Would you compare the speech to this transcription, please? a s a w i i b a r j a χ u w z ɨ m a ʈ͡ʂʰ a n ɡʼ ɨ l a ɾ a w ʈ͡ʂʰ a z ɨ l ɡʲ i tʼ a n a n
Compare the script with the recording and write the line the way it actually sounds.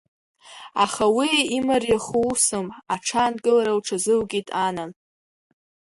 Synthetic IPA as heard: a χ a w i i m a r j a χ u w s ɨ m a ʈ͡ʂʰ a n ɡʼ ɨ l a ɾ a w ʈ͡ʂʰ a z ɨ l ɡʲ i tʼ a n a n